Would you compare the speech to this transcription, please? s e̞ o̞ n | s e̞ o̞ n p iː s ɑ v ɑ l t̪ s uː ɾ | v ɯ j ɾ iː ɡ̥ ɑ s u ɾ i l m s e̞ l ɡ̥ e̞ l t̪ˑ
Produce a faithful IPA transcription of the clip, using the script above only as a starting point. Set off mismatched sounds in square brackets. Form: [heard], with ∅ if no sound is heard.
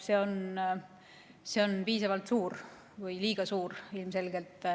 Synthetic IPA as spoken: s e̞ o̞ n | s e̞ o̞ n p iː s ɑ v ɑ l t̪ s uː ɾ | v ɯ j [l] iː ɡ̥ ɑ s [uː] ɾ i l m s e̞ l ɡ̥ e̞ l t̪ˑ